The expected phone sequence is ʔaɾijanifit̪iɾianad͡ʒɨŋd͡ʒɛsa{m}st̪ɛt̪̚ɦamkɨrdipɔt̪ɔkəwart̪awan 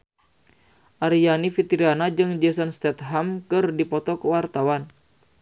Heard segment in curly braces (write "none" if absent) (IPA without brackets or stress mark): n